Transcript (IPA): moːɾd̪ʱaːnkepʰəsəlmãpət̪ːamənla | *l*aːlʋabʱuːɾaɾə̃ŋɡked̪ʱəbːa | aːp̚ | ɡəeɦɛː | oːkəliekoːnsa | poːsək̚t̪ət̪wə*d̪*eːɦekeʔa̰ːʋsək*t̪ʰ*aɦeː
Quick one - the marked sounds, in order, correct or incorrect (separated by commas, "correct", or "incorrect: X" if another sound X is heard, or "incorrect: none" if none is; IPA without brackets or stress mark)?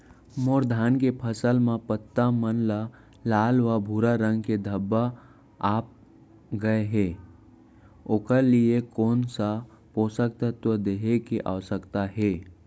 correct, correct, incorrect: t̪